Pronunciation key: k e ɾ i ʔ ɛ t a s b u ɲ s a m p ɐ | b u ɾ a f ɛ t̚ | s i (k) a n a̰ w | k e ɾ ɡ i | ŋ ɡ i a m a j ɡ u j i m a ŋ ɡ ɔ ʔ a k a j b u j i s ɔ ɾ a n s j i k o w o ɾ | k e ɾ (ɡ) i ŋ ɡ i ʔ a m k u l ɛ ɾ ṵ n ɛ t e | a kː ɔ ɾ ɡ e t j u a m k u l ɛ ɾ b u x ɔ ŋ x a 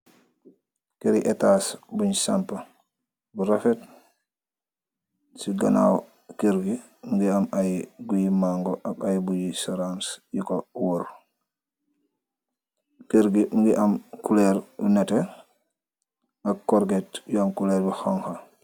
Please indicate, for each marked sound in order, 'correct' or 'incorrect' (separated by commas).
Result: incorrect, correct